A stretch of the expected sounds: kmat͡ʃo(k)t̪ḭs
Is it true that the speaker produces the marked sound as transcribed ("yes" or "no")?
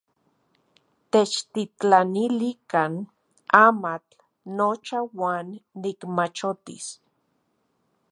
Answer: no